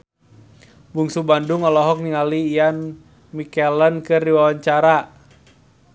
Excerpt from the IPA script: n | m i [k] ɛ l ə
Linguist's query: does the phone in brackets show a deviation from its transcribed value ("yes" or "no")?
no